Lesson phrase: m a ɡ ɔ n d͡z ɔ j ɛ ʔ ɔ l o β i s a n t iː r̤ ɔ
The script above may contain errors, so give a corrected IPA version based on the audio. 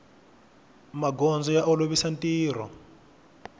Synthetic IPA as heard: m a ɡ ɔ n d͡z ɔ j a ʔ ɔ l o β i s a n t iː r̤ ɔ